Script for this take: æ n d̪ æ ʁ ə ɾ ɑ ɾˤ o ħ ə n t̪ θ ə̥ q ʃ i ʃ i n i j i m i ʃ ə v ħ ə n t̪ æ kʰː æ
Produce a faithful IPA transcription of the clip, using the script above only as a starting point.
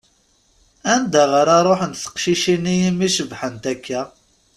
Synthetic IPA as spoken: æ n d̪ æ ʁ ə ɾ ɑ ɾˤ o ħ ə n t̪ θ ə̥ q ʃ i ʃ i n i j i m i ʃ ə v ħ ə n t̪ æ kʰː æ